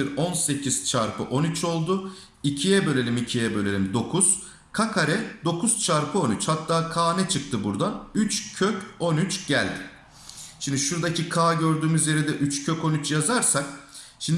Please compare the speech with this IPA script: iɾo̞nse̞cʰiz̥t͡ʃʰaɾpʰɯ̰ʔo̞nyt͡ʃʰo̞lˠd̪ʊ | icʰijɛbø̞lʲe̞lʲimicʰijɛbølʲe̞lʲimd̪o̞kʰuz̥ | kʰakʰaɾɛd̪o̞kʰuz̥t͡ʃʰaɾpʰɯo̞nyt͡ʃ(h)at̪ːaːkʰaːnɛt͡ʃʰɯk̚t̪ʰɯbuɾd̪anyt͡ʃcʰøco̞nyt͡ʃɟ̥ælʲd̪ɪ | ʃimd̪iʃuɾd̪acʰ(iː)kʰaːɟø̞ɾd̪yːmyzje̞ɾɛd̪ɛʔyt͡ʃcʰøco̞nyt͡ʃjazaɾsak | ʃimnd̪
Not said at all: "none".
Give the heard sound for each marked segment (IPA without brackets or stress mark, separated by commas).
h, i